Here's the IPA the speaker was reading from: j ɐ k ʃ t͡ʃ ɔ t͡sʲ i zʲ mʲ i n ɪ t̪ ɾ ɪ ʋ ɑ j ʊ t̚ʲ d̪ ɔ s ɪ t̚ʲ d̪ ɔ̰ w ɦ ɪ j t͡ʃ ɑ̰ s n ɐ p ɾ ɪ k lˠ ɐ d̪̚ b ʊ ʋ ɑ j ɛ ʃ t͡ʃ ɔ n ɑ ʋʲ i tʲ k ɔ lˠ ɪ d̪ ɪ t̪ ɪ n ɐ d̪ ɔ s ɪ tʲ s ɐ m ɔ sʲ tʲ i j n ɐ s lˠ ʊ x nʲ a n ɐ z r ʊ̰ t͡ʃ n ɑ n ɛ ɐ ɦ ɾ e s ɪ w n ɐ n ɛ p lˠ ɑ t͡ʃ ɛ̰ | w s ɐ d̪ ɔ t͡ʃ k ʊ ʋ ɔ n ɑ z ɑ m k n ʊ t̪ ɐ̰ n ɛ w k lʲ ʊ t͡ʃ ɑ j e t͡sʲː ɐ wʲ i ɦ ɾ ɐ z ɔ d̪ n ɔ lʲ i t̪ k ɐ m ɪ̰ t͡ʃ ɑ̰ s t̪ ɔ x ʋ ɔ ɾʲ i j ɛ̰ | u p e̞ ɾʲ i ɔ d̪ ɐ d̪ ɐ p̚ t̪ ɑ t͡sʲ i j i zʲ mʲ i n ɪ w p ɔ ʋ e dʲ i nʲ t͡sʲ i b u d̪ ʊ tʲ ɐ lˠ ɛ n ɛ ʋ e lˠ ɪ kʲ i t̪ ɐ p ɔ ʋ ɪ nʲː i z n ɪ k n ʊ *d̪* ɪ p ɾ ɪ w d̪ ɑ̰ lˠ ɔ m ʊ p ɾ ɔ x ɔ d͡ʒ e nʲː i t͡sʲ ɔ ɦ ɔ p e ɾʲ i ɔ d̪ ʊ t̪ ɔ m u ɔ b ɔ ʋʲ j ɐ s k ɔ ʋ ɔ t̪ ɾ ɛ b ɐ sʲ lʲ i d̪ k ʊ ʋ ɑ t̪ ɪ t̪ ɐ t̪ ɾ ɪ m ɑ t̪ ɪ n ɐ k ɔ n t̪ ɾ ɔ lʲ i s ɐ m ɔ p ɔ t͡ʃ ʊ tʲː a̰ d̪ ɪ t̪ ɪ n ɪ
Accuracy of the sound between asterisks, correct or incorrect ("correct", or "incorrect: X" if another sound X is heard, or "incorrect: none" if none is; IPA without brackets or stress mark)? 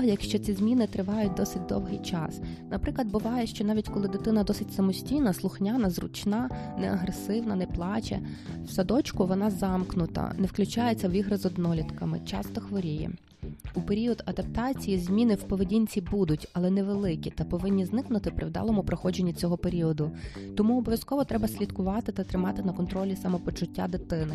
incorrect: t̪